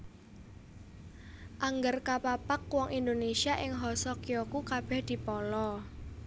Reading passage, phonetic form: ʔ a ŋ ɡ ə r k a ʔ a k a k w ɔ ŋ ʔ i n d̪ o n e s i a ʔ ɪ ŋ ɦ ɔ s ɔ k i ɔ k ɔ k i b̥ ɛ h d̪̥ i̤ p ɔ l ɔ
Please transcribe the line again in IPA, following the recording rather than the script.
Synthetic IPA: ʔ a ŋ ɡ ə r k a p a p a k w ɔ ŋ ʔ i n d̪ o n e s i a ʔ ɪ ŋ ɦ ɔ s ɔ k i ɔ k u k a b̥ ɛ h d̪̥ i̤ p ɔ l ɔ